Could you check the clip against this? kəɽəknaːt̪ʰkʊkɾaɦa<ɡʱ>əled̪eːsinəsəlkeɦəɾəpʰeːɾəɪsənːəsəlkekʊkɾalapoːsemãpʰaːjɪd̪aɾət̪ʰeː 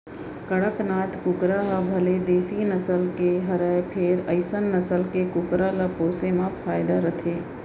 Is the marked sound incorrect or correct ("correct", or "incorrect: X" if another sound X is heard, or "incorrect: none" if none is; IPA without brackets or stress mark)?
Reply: incorrect: bʱ